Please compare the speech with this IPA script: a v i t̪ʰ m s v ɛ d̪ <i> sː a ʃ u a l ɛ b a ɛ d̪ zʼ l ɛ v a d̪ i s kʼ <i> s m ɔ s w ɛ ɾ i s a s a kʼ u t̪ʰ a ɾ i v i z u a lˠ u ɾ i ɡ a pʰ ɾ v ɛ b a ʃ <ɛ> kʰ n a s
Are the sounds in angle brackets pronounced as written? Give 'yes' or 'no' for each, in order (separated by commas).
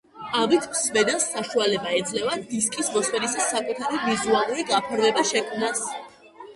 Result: no, yes, yes